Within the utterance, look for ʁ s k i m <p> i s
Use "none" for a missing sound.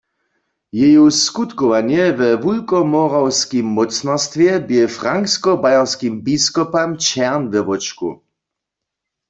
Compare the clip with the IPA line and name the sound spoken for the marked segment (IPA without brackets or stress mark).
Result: b